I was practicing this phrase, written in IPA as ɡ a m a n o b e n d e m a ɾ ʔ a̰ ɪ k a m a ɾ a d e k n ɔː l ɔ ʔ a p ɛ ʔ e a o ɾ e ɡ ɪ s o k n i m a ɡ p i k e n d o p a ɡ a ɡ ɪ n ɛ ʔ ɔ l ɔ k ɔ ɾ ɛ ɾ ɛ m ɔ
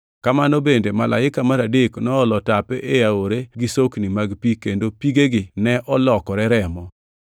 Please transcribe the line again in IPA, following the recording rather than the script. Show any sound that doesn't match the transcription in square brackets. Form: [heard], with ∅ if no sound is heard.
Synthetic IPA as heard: [k] a m a n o b e n d e m a [l] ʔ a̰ ɪ k a m a ɾ a d e k n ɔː l ɔ [t] a p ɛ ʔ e a o ɾ e ɡ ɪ s o k n i m a ɡ p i k e n d o p [i] ɡ [e] ɡ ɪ n ɛ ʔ ɔ l ɔ k ɔ ɾ ɛ ɾ ɛ m ɔ